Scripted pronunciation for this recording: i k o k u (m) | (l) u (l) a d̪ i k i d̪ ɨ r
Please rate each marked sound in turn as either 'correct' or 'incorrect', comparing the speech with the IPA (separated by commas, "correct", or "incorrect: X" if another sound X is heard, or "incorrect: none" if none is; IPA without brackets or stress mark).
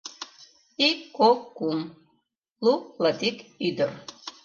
correct, correct, correct